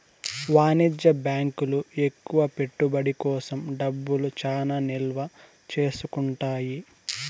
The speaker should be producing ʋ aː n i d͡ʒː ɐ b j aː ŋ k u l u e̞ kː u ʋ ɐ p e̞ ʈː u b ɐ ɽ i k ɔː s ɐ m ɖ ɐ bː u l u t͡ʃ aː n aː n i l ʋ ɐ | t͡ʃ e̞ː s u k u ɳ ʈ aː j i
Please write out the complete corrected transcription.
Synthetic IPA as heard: ʋ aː n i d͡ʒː ɐ b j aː ŋ k u l u e̞ kː u ʋ ɐ p e̞ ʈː u b ɐ ɽ i k ɔː s ɐ m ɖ ɐ bː u l u t͡ʃ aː n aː n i l ʋ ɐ | t͡ʃ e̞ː s u k u ɳ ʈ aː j i

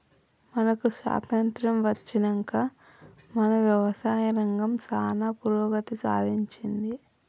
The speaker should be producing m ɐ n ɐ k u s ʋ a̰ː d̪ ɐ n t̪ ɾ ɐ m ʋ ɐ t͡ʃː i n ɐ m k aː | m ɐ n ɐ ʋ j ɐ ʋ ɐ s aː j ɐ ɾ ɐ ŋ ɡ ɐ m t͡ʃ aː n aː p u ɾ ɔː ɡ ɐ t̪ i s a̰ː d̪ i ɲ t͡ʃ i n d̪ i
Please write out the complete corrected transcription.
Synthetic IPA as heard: m ɐ n ɐ k u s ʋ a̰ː t̪ ɐ n t̪ ɾ ɐ m ʋ ɐ t͡ʃː i n ɐ ŋ k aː | m ɐ n ɐ ʋ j ɐ ʋ ɐ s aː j ɐ ɾ ɐ ŋ ɡ ɐ m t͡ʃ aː n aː p u ɾ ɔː ɡ ɐ t̪ i s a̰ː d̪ i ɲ t͡ʃ i n d̪ i

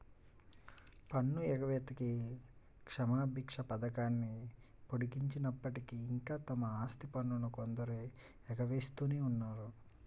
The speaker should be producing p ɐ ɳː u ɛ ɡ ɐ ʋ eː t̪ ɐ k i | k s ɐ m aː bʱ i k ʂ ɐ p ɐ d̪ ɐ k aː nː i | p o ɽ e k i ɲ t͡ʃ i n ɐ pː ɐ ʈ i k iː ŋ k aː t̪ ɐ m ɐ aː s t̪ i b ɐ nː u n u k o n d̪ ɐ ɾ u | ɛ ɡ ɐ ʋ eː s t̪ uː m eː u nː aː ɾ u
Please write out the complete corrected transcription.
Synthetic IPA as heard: p ɐ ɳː u ɛ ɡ ɐ ʋ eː t̪ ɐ k i | k ʂ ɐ m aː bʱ i k ʂ ɐ p ɐ d̪ ɐ k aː nː i | p o ɽ i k i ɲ t͡ʃ i n ɐ pː ɐ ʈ i k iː ŋ k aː t̪ ɐ m ɐ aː s t̪ i p ɐ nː u n u k o n d̪ ɐ ɾ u | ɛ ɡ ɐ ʋ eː s t̪ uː n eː u nː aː ɾ u

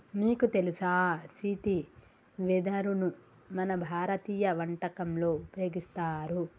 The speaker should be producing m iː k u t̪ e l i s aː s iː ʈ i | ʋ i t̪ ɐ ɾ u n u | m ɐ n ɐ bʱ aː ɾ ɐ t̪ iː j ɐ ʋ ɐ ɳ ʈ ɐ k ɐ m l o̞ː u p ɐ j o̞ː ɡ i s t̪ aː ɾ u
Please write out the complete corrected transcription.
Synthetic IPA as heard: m iː k u t̪ e l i s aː s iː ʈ i | ʋ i d̪ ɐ ɾ u n u | m ɐ n ɐ bʱ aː ɾ ɐ t̪ iː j ɐ ʋ ɐ ɳ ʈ ɐ k ɐ m l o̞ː u p ɐ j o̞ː ɡ i s t̪ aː ɾ u

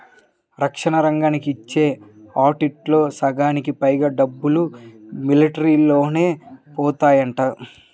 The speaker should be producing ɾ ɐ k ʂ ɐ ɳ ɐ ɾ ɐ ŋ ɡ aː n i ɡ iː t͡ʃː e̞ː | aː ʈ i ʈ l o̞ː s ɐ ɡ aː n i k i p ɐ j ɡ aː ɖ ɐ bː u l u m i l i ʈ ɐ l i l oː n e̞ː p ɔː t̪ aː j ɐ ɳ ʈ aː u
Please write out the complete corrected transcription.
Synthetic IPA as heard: ɾ ɐ k ʂ ɐ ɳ ɐ ɾ ɐ ŋ ɡ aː n i k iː t͡ʃː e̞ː | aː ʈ i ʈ l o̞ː s ɐ ɡ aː n i k i p ɐ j ɡ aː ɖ ɐ bː u l u m i l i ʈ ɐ ɾ i l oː n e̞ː p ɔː t̪ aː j ɐ ɳ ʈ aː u

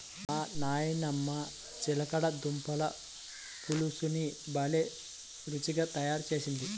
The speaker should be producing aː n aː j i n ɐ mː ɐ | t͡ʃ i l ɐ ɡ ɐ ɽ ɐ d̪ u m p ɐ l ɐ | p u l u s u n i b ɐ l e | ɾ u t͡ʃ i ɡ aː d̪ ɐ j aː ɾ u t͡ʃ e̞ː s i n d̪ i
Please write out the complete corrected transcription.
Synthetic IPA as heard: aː n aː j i n ɐ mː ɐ | t͡ʃ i l ɐ k ɐ ɽ ɐ d̪ u m p ɐ l ɐ | p u l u s u n i b ɐ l e | ɾ u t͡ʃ i ɡ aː t̪ ɐ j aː ɾ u t͡ʃ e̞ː s i n d̪ i

